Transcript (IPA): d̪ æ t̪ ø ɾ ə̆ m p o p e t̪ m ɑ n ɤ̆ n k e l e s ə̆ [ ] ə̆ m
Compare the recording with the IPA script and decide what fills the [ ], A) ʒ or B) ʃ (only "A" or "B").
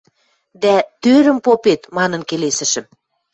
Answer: B